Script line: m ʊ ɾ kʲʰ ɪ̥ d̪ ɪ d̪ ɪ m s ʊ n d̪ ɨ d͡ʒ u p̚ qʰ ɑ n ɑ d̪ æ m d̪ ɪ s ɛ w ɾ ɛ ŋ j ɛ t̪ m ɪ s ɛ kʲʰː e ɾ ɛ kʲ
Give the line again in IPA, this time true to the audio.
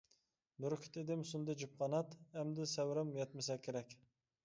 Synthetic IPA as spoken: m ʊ ɾ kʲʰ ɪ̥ t̪ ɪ d̪ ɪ m s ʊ n d̪ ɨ d͡ʒ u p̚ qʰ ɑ n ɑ t̪ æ m d̪ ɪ s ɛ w ɾ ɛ m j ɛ t̪ m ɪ s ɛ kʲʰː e ɾ ɛ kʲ

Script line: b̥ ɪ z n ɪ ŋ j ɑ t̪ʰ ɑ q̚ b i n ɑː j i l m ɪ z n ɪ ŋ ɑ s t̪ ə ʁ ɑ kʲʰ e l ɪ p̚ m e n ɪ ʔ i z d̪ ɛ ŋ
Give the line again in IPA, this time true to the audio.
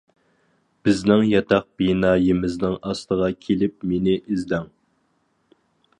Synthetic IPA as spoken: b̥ ɪ z n ɪ ŋ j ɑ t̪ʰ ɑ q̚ b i n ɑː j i m ɪ z n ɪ ŋ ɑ s t̪ ə ʁ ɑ kʲʰ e l ɪ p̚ m e n ɪ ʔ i z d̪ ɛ ŋ

